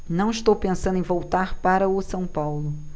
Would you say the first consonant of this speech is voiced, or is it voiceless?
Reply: voiced